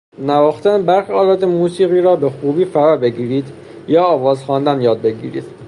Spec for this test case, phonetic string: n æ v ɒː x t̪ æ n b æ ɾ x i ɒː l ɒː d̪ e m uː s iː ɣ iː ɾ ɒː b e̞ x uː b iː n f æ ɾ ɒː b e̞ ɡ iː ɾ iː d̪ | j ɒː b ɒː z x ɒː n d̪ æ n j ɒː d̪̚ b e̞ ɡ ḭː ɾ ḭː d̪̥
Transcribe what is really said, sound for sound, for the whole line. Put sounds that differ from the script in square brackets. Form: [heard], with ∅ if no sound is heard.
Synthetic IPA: n æ v ɒː x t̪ æ n b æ ɾ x i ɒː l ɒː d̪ e m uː s iː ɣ iː ɾ ɒː b e̞ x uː b iː [∅] f æ ɾ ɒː b e̞ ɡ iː ɾ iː d̪ | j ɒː [v] ɒː z x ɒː n d̪ æ n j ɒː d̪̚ b e̞ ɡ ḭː ɾ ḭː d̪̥